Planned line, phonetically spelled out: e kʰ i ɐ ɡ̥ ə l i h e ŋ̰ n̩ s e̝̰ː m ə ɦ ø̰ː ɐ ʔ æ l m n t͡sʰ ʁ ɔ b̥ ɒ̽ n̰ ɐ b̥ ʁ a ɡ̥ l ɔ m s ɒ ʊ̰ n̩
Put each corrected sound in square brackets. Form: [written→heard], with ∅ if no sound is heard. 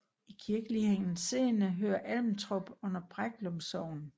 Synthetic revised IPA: [e→i] kʰ i ɐ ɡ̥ ə l i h e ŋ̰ n̩ s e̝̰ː [m→n] ə ɦ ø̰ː ɐ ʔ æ l m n t͡sʰ ʁ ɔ b̥ [ɒ̽→ɔ̽] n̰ ɐ b̥ ʁ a ɡ̥ l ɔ m s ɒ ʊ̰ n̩